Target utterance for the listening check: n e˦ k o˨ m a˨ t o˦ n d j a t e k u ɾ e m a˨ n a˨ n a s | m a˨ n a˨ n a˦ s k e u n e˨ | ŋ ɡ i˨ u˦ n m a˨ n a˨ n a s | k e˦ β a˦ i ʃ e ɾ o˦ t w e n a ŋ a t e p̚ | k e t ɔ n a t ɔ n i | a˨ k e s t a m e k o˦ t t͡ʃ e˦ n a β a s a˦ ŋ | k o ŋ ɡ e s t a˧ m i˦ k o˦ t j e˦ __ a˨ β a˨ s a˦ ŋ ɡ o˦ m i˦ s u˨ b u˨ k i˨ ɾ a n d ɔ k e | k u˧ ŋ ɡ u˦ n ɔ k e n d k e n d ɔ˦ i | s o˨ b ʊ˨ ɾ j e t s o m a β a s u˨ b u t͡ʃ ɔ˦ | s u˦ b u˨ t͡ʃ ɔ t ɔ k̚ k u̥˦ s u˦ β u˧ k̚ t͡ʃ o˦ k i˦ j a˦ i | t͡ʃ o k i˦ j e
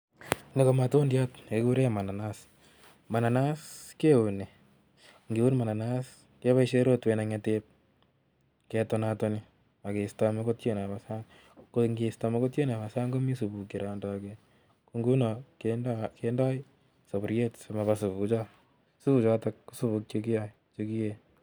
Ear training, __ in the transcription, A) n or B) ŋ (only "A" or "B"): A